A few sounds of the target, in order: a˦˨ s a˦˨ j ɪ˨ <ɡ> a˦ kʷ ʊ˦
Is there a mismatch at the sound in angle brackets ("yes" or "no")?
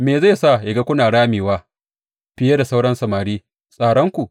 no